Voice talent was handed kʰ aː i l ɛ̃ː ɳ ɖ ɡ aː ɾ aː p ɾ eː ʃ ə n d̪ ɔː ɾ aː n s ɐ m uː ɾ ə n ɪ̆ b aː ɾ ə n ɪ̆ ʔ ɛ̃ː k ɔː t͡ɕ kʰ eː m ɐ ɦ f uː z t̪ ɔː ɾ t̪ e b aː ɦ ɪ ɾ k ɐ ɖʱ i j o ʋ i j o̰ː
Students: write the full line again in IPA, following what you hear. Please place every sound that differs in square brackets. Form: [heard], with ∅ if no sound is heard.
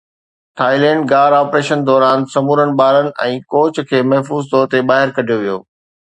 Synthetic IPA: [ʈʰ] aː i l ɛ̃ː ɳ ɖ ɡ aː ɾ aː p ɾ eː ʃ ə n d̪ ɔː ɾ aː n s ɐ m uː ɾ ə n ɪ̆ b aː ɾ ə n ɪ̆ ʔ ɛ̃ː k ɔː t͡ɕ kʰ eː m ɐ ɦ f uː z t̪ ɔː ɾ t̪ e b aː ɦ ɪ ɾ k ɐ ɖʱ i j o ʋ i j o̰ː